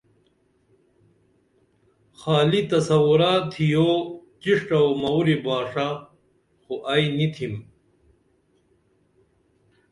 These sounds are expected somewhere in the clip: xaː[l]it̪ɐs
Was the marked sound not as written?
no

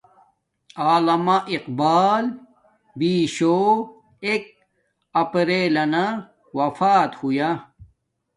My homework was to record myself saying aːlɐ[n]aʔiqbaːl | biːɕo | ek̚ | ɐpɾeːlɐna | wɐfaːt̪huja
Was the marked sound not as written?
yes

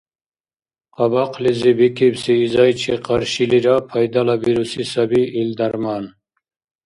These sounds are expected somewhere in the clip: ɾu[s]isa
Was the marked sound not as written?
no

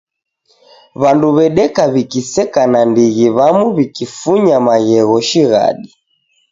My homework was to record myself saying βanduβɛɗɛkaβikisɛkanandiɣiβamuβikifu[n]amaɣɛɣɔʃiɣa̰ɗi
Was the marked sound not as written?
yes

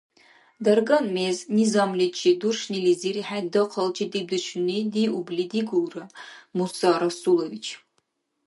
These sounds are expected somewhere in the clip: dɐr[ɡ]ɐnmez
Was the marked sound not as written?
no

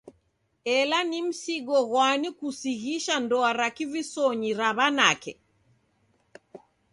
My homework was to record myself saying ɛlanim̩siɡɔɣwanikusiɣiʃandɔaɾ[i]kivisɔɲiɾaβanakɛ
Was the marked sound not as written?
yes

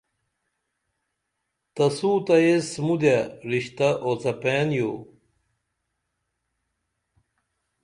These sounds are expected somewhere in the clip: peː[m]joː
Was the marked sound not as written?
yes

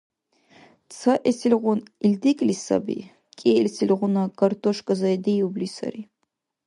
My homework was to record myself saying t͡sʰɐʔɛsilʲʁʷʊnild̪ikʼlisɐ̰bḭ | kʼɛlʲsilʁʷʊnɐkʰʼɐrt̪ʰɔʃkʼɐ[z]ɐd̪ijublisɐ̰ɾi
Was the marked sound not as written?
no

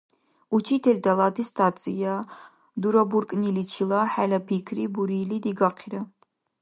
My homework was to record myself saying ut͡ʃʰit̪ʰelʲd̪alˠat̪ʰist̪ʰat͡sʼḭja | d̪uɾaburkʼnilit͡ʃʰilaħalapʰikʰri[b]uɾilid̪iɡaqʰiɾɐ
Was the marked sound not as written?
no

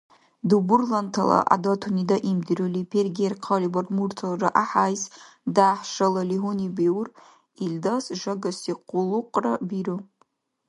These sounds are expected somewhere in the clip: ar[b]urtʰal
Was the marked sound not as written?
yes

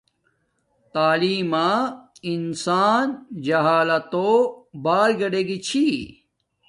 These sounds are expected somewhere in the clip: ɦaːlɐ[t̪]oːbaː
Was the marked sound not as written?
no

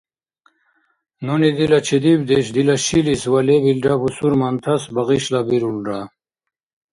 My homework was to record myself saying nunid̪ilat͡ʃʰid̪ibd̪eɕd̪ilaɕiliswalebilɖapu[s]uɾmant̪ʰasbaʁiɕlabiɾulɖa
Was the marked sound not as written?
no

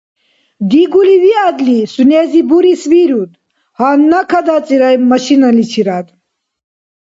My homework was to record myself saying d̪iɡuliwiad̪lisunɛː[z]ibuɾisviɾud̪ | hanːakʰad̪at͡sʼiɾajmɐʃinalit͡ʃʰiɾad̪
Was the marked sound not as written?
no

